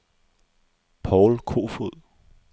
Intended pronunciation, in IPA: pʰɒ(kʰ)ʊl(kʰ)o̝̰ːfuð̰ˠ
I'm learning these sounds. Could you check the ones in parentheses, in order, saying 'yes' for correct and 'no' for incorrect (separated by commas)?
no, yes